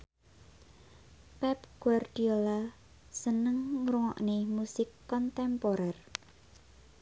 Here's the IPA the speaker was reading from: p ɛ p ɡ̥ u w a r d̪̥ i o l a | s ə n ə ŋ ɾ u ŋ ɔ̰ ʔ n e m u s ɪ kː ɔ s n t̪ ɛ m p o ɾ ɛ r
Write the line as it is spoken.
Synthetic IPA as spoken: p ɛ p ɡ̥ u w a r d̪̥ i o l a | s ə n ə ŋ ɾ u ŋ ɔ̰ ʔ n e m u s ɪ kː ɔ n t̪ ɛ m p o ɾ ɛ r